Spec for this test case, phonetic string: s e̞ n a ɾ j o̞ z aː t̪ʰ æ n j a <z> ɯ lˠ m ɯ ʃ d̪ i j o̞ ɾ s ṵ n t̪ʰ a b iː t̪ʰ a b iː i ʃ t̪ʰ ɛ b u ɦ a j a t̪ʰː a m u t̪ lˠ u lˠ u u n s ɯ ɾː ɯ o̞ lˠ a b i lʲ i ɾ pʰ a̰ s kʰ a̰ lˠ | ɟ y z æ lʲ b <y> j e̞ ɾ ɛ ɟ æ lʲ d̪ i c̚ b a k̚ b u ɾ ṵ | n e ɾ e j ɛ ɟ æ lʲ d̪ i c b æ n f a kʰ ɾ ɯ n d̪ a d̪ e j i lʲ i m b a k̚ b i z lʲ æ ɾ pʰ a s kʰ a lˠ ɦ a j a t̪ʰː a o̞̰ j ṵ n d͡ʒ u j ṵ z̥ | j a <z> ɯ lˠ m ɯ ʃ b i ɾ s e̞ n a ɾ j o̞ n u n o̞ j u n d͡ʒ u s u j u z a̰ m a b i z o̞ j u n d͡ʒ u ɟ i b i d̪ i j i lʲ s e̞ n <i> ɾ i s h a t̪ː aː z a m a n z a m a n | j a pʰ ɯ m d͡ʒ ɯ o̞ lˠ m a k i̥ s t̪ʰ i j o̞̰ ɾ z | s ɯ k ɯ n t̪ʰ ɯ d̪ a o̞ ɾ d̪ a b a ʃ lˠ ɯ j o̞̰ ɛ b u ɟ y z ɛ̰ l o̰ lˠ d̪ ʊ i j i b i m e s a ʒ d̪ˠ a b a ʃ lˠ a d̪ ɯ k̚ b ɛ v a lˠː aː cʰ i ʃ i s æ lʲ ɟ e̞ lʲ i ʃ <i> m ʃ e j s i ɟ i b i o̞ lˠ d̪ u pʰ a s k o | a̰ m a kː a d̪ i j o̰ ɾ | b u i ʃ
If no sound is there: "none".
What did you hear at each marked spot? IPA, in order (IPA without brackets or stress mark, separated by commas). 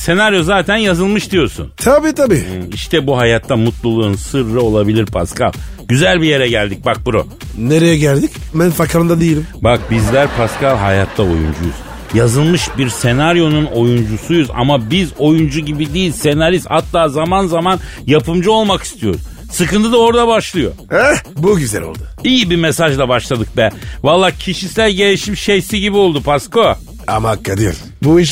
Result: z, i, z, a, i